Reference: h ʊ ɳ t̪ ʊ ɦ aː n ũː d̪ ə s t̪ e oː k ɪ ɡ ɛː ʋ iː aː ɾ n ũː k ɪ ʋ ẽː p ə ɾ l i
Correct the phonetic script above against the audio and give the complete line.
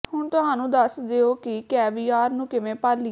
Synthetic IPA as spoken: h ʊ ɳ t̪ ʊ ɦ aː n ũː d̪ ə s d̪ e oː k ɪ k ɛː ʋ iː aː ɾ n ũː k ɪ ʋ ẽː p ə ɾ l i

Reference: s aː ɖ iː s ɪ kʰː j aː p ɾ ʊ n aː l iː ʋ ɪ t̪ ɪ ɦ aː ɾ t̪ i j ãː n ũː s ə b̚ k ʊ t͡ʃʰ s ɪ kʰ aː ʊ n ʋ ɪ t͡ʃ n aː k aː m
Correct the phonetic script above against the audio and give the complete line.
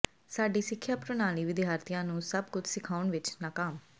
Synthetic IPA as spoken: s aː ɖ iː s ɪ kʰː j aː p ɾ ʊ n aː l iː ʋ ɪ d̪ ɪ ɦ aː ɾ t̪ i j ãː n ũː s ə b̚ k ʊ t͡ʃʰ s ɪ kʰ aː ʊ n ʋ ɪ t͡ʃ n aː k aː m

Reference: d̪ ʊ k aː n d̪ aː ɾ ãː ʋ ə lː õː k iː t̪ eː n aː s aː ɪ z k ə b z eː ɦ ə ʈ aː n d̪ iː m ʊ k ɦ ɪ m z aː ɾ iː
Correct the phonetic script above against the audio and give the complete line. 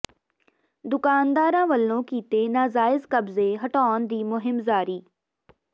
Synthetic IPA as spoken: d̪ ʊ k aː n d̪ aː ɾ ãː ʋ ə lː õː k iː t̪ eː n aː z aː ɪ z k ə b z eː ɦ ə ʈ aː n d̪ iː m ʊ ɦ ɪ m z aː ɾ iː

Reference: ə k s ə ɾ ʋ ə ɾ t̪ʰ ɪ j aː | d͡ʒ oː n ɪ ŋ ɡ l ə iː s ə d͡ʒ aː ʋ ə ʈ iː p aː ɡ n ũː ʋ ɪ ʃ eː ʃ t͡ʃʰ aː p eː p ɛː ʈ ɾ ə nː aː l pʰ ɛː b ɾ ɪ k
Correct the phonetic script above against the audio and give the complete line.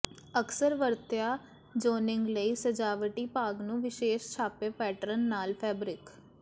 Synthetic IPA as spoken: ə k s ə ɾ ʋ ə ɾ t̪ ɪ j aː | d͡ʒ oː n ɪ ŋ ɡ l ə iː s ə d͡ʒ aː ʋ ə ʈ iː p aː ɡ n ũː ʋ ɪ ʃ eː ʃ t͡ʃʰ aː p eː p ɛː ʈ ɾ ə nː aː l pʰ ɛː b ɾ ɪ k

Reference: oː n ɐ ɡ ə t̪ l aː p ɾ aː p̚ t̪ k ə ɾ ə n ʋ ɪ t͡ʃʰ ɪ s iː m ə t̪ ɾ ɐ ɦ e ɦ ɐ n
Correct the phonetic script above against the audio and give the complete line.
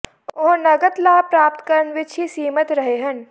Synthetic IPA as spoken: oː n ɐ ɡ ə t̪ l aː p ɾ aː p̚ t̪ k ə ɾ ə n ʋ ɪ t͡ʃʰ i s iː m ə t̪ ɾ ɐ ɦ e ɦ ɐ n

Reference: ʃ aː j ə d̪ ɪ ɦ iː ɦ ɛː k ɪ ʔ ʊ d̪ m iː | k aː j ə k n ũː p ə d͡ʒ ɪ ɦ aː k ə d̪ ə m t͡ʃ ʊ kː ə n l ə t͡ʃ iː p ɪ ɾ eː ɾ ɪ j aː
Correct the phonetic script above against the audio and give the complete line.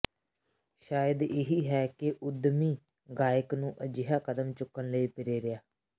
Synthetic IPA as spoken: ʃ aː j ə d̪ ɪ ɦ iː ɦ ɛː k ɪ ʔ ʊ d̪ m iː | ɡ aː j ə k n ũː ʔ ə d͡ʒ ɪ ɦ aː k ə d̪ ə m t͡ʃ ʊ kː ə n l ə iː p ɪ ɾ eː ɾ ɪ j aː

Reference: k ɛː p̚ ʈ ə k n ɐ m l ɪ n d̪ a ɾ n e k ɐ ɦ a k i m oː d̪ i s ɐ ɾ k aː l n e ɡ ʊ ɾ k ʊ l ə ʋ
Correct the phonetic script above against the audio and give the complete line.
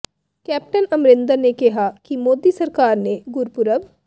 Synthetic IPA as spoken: k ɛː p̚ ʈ ə n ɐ m ɾ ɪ n d̪ ə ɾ n e k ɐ ɦ a k i m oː d̪ i s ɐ ɾ k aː ɾ n e ɡ ʊ ɾ p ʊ ɾ ə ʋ

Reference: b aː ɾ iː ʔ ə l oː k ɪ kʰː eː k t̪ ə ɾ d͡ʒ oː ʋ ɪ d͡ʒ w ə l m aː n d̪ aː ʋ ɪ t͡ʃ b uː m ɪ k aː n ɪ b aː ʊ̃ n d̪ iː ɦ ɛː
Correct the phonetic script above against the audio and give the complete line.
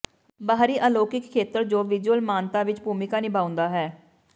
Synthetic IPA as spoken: b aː ɾ iː ʔ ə l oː k ɪ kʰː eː t̪ ə ɾ d͡ʒ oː ʋ ɪ d͡ʒ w ə l m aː n t̪ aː ʋ ɪ t͡ʃ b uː m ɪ k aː n ɪ b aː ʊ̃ n d̪ aː ɦ ɛː

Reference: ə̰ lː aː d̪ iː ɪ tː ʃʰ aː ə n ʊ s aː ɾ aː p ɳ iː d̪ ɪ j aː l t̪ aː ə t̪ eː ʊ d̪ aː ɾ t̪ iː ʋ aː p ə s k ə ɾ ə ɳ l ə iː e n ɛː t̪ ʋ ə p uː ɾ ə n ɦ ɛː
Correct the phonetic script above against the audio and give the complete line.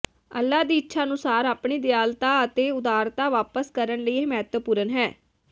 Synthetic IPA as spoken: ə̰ lː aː d̪ iː ɪ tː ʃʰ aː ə n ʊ s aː ɾ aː p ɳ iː d̪ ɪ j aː l t̪ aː ə t̪ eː ʊ d̪ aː ɾ t̪ aː ʋ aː p ə s k ə ɾ ə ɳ l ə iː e m ɛː t̪ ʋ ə p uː ɾ ə n ɦ ɛː

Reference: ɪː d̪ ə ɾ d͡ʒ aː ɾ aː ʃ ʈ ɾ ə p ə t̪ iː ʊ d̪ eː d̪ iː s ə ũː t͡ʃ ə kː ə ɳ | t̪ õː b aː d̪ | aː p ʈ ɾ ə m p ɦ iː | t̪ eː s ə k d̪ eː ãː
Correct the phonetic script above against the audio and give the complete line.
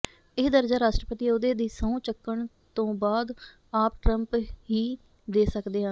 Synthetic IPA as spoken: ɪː d̪ ə ɾ d͡ʒ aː ɾ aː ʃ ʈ ɾ ə p ə t̪ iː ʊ d̪ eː d̪ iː s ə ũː t͡ʃ ə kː ə ɳ | t̪ õː b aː d̪ | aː p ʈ ɾ ə m p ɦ iː | d̪ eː s ə k d̪ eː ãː

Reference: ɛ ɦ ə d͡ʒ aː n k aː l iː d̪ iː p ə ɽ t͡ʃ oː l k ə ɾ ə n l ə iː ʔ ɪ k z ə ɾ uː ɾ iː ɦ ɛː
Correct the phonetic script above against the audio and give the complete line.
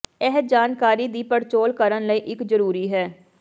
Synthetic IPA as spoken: ɛ ɦ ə d͡ʒ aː n k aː ɾ iː d̪ iː p ə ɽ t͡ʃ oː l k ə ɾ ə n l ə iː ʔ ɪ k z ə ɾ uː ɾ iː ɦ ɛː

